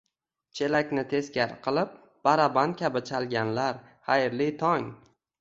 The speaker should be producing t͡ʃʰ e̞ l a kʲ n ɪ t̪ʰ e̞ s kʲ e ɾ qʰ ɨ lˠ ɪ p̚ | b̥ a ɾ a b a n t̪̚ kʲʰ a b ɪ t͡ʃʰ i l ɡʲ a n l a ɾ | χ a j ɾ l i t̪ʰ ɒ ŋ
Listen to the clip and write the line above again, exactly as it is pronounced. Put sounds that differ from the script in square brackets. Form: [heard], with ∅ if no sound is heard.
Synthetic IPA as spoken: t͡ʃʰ e̞ l a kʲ n ɪ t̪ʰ e̞ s kʲ [a] ɾ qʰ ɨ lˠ ɪ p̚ | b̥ a ɾ a b a n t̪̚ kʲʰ a b ɪ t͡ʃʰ [a] l ɡʲ a n l a ɾ | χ a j ɾ l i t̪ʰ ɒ ŋ

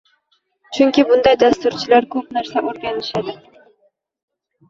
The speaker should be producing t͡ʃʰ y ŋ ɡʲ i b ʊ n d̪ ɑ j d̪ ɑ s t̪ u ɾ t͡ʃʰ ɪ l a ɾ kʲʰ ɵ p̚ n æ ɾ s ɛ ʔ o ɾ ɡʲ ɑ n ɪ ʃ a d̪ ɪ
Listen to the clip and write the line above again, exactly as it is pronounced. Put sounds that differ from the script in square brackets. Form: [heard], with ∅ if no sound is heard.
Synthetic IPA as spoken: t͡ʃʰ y ŋ [kʲ] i b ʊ n d̪ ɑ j d̪ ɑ s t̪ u ɾ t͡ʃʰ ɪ l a ɾ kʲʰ ɵ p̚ n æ ɾ s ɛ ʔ o ɾ ɡʲ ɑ n ɪ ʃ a d̪ ɪ

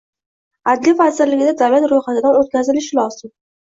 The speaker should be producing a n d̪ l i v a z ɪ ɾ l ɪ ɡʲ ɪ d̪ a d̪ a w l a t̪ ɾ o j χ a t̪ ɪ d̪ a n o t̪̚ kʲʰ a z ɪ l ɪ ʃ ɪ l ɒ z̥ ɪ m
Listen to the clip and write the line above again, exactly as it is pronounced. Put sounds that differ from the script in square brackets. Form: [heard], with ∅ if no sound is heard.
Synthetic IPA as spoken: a [∅] d̪ l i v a z ɪ ɾ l ɪ ɡʲ ɪ d̪ a d̪ a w l a t̪ ɾ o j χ a t̪ ɪ d̪ a n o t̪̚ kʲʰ a z ɪ l ɪ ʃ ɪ l ɒ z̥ ɪ m

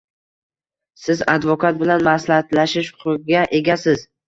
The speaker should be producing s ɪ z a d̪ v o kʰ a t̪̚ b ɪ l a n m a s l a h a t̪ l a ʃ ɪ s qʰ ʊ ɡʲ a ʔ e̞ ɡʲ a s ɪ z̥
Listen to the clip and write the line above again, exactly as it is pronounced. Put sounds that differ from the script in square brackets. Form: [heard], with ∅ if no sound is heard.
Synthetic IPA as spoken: s ɪ z a d̪ v o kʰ a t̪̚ b ɪ l a n m a s l a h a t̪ l a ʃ ɪ [ʃ] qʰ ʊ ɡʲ a ʔ e̞ ɡʲ a s ɪ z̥

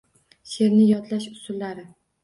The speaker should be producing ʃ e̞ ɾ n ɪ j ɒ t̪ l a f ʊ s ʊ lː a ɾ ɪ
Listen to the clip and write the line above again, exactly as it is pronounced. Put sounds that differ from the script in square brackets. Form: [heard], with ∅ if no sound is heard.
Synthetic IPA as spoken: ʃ e̞ ɾ n ɪ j ɒ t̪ l a [ʃ] ʊ s ʊ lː a ɾ ɪ

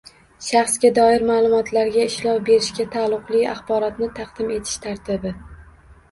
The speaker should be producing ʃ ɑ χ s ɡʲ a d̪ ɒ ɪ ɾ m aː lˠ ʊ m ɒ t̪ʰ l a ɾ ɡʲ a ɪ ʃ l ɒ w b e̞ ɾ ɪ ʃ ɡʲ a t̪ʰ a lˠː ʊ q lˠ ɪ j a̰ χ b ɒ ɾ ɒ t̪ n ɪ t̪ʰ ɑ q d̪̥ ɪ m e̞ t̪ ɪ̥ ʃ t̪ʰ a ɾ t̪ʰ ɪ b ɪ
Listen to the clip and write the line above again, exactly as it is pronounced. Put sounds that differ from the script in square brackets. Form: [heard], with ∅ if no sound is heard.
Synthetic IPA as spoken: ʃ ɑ χ s ɡʲ a d̪ ɒ ɪ ɾ m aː lˠ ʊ m ɒ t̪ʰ l a ɾ ɡʲ a ɪ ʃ l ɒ w b e̞ ɾ ɪ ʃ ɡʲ a t̪ʰ a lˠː ʊ q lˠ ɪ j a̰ χ b ɒ ɾ ɒ t̪ n ɪ t̪ʰ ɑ q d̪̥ ɪ m e̞ [t̪ʰ] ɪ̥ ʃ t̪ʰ a ɾ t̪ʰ ɪ b ɪ

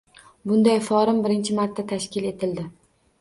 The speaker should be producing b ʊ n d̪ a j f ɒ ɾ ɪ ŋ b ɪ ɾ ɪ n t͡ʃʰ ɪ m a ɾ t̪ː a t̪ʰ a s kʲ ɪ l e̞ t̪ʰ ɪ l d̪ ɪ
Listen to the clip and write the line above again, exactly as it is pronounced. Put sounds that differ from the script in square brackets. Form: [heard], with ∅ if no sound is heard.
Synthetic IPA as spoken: b ʊ n d̪ a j f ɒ ɾ ɪ [m] b ɪ ɾ ɪ n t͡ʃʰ ɪ m a ɾ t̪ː a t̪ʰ a [ʃ] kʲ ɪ l e̞ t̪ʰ ɪ l d̪ ɪ

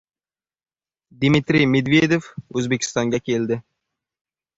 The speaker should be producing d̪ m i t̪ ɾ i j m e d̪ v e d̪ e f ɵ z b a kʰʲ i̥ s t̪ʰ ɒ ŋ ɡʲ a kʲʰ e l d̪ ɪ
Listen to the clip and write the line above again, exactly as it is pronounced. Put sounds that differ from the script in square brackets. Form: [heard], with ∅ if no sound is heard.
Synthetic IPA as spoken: d̪ m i t̪ ɾ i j m e d̪ v e d̪ e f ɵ z b [e] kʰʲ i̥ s [t̪] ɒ ŋ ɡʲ a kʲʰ e l d̪ ɪ

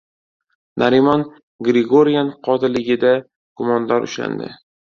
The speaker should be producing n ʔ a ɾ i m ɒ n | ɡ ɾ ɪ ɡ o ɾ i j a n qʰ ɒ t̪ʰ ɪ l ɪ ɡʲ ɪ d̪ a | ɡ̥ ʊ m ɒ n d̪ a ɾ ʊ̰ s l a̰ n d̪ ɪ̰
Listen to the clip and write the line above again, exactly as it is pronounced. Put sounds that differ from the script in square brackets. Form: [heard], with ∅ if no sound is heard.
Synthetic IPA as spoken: n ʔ a ɾ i m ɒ n | ɡ ɾ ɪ ɡ o ɾ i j a n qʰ ɒ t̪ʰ ɪ l ɪ ɡʲ ɪ d̪ a | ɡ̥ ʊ m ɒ n d̪ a ɾ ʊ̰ [ʃ] l a̰ n d̪ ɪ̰

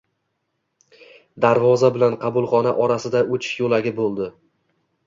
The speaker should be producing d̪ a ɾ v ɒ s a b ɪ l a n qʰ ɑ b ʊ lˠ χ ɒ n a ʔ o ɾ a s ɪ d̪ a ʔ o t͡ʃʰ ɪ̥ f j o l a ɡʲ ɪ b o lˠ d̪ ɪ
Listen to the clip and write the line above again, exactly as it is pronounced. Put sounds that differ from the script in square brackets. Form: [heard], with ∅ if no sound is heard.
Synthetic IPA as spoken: d̪ a ɾ v ɒ [z] a b ɪ l a n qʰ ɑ b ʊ lˠ χ ɒ n a ʔ [ɒ] ɾ a s ɪ d̪ a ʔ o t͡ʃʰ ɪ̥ [ʃ] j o l a ɡʲ ɪ b o lˠ d̪ ɪ

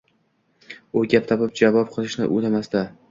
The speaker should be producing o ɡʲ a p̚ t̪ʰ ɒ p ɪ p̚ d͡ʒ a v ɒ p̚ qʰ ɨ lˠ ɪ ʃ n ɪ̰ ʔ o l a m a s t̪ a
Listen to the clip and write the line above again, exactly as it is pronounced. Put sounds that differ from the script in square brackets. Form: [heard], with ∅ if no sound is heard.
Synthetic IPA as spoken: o ɡʲ a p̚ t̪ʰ ɒ p ɪ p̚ d͡ʒ a v ɒ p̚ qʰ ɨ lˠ ɪ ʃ n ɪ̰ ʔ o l a m a s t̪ a

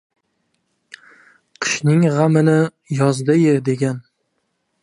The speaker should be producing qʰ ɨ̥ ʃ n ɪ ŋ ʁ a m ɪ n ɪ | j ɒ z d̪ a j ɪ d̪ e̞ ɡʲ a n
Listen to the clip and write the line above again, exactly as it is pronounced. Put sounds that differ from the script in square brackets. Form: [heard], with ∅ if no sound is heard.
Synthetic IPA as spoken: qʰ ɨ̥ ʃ n ɪ ŋ ʁ a m ɪ n ɪ | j ɒ z d̪ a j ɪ d̪ e̞ ɡʲ a n

